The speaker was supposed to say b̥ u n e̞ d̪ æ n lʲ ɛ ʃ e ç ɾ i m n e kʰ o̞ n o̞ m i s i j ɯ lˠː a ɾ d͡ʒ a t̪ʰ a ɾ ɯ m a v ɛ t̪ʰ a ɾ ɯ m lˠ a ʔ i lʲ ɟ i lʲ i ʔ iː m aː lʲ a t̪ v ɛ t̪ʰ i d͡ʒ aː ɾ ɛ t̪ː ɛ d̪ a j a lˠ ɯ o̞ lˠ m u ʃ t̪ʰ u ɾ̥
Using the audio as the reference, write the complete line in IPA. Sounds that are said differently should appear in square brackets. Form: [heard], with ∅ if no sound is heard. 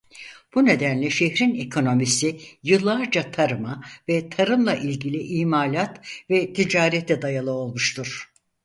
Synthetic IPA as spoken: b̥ u n e̞ d̪ æ n lʲ ɛ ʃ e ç ɾ i [∅] n e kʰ o̞ n o̞ m i s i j ɯ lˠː a ɾ d͡ʒ a t̪ʰ a ɾ ɯ m a v ɛ t̪ʰ a ɾ ɯ m lˠ a ʔ i lʲ ɟ i lʲ i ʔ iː m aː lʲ a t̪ v ɛ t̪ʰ i d͡ʒ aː ɾ ɛ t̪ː ɛ d̪ a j a lˠ ɯ o̞ lˠ m u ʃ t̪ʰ u ɾ̥

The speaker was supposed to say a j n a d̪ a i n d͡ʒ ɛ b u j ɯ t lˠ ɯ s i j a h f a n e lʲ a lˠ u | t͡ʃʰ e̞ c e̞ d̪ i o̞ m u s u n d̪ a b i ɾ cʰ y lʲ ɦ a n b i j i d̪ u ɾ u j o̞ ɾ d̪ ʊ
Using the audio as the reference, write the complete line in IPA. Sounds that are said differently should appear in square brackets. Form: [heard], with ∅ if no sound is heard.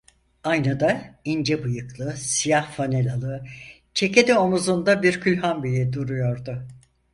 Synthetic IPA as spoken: a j n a d̪ a i n d͡ʒ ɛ b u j ɯ [k] lˠ ɯ s i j a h f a n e lʲ a lˠ [ɯ] | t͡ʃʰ e̞ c e̞ d̪ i o̞ m u [z] u n d̪ a b i ɾ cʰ y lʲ ɦ a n b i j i d̪ u ɾ u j o̞ ɾ d̪ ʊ

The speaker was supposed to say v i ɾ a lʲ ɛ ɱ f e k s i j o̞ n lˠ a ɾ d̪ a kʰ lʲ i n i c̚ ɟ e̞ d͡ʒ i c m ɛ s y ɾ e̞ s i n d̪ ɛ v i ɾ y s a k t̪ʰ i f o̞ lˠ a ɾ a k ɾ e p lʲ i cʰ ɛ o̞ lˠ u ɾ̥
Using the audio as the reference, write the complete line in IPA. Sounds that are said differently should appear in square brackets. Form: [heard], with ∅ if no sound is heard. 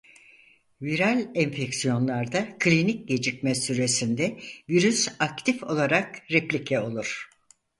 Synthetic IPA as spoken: v i ɾ a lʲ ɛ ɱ f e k s i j o̞ n lˠ a ɾ d̪ a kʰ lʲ i n i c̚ ɟ e̞ d͡ʒ i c m ɛ s y ɾ e̞ s i n d̪ ɛ v i ɾ y s a k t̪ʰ i f o̞ lˠ a ɾ a k ɾ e p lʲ i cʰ ɛ o̞ lˠ u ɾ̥

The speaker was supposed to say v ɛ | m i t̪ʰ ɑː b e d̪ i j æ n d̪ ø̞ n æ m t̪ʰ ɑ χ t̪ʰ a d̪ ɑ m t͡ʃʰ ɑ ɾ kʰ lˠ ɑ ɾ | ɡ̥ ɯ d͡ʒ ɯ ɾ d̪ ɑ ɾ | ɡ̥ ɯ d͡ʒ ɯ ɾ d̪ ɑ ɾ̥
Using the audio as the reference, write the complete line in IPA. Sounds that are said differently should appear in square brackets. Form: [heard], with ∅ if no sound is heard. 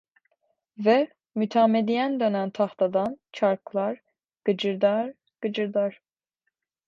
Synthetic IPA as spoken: v ɛ | m [y] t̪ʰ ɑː [m] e d̪ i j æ n d̪ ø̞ n æ [n] t̪ʰ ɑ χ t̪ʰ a d̪ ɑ [n] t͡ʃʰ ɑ ɾ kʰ lˠ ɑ ɾ | ɡ̥ ɯ d͡ʒ ɯ ɾ d̪ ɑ ɾ | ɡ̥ ɯ d͡ʒ ɯ ɾ d̪ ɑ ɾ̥

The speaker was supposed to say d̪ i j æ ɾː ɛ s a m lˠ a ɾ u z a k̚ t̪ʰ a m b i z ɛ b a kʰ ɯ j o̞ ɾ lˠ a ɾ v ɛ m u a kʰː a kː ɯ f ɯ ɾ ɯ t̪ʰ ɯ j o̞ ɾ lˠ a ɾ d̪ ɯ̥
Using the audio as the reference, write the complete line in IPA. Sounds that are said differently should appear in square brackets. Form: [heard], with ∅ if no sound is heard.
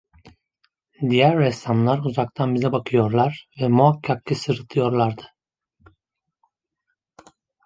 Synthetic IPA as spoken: d̪ i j æ ɾː ɛ s a m lˠ a ɾ u z a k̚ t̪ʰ a [n] b i z ɛ b a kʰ ɯ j o̞ ɾ lˠ a ɾ v ɛ m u a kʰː a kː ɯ [s] ɯ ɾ ɯ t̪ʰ ɯ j o̞ ɾ lˠ a ɾ d̪ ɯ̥

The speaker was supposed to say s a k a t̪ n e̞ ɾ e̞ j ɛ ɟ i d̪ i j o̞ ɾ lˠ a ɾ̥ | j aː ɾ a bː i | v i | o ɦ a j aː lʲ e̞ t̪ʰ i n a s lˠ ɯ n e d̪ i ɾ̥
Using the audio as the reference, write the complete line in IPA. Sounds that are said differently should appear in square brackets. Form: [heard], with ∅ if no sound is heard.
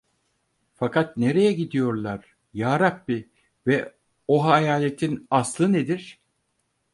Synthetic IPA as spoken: [f] a k a t̪ n e̞ ɾ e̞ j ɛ ɟ i d̪ i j o̞ ɾ lˠ a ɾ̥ | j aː ɾ a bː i | v [ɛ] | o ɦ a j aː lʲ e̞ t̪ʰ i n a s lˠ ɯ n e d̪ i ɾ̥

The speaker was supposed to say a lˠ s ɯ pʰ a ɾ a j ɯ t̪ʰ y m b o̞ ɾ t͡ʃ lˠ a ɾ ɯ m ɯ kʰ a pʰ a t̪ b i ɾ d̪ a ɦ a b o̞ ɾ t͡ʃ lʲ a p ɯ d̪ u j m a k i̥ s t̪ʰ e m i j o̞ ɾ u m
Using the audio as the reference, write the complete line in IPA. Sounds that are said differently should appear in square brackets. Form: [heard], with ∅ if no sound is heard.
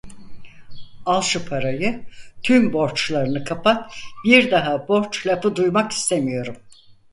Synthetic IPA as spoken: a lˠ [ʃ] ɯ pʰ a ɾ a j ɯ t̪ʰ y m b o̞ ɾ t͡ʃ lˠ a ɾ ɯ [n] ɯ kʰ a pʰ a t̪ b i ɾ d̪ a ɦ a b o̞ ɾ t͡ʃ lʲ a p ɯ d̪ u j m a k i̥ s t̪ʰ e m i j o̞ ɾ u m

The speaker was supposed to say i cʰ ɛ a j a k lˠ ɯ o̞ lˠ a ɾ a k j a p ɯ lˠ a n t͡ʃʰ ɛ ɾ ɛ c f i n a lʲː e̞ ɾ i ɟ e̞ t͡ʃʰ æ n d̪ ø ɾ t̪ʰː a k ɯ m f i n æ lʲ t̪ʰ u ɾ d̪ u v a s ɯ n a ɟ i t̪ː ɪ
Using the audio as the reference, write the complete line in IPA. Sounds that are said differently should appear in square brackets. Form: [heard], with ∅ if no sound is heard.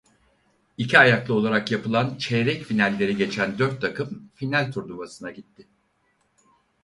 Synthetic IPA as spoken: i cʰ [i] a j a k lˠ ɯ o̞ lˠ a ɾ a k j a p ɯ lˠ a n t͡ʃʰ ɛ ɾ ɛ c f i n [æ] lʲː e̞ ɾ i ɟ e̞ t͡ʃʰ æ n d̪ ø ɾ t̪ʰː a k ɯ m f i n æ lʲ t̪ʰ u ɾ d̪ u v a s ɯ n a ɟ i t̪ː ɪ

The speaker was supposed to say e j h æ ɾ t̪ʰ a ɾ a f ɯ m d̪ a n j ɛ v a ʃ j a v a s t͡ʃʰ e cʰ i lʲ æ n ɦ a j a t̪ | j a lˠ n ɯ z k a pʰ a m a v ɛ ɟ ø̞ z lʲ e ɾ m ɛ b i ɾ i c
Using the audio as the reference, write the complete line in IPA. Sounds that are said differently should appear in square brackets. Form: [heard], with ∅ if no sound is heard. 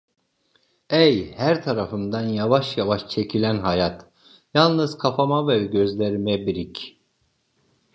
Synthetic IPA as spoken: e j h æ ɾ t̪ʰ a ɾ a f ɯ m d̪ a n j [a] v a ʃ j a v a [ʃ] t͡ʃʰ e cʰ i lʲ æ n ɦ a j a t̪ | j a lˠ n ɯ z [kʰ] a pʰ a m a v ɛ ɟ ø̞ z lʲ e ɾ m ɛ b i ɾ i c

